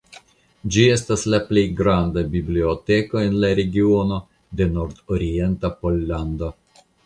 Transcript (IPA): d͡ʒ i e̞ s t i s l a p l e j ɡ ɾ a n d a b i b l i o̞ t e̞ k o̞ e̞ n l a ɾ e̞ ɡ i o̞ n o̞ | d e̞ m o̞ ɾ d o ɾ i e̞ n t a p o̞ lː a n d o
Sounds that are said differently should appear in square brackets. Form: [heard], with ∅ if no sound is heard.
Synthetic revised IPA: d͡ʒ i e̞ s t [a] s l a p l e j ɡ ɾ a n d a b i b l i o̞ t e̞ k o̞ e̞ n l a ɾ e̞ ɡ i o̞ n o̞ | d e̞ [n] o̞ ɾ d o ɾ i e̞ n t a p o̞ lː a n d o